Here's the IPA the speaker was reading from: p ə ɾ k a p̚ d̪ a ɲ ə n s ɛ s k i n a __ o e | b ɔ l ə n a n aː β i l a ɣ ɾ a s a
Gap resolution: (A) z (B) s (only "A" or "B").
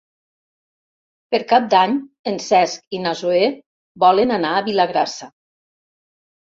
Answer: A